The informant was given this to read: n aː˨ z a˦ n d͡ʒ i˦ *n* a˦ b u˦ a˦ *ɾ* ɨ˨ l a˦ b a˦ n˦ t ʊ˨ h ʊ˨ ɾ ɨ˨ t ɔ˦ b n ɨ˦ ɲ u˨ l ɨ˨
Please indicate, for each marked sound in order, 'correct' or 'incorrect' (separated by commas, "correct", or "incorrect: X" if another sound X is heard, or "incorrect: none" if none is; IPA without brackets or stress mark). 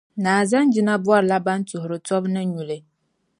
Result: correct, correct